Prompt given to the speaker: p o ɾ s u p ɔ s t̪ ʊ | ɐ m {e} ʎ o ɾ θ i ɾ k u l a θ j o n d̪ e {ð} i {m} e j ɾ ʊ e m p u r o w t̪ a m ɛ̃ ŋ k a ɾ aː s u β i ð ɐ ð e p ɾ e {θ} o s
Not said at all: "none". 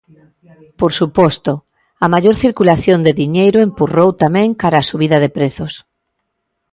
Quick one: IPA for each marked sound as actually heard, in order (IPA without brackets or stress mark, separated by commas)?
a, ð, ɲ, θ